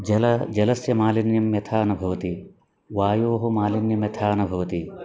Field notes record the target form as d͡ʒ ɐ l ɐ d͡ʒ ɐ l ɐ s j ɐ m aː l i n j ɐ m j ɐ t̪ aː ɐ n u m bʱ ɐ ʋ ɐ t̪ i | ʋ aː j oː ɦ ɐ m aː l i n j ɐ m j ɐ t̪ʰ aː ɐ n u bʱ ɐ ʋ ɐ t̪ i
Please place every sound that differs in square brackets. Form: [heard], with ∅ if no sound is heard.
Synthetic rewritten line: d͡ʒ ɐ l ɐ d͡ʒ ɐ l ɐ s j ɐ m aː l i n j ɐ m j ɐ [t̪ʰ] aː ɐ n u [∅] bʱ ɐ ʋ ɐ t̪ i | ʋ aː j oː ɦ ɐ m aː l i n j ɐ m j ɐ t̪ʰ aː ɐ n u bʱ ɐ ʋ ɐ t̪ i